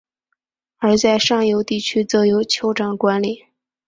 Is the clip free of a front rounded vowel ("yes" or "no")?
no